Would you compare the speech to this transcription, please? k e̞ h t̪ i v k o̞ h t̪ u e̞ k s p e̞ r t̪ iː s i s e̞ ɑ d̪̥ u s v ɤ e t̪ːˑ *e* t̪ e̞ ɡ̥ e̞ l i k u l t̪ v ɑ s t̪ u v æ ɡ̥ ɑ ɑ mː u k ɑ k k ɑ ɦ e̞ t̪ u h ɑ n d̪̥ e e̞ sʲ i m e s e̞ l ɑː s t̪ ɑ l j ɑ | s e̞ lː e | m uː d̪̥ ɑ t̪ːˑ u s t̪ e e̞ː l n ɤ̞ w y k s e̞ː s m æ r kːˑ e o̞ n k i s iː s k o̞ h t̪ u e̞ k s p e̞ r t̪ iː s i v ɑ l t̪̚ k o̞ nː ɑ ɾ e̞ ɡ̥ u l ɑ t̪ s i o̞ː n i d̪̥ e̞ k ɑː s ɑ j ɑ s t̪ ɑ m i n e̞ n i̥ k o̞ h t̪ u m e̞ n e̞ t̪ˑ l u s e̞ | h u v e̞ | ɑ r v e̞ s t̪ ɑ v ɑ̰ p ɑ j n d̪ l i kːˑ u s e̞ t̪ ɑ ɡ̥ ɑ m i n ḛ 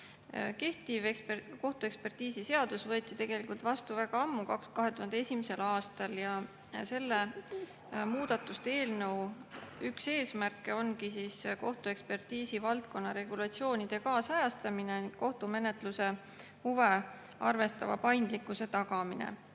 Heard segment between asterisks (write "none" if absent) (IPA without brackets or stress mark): i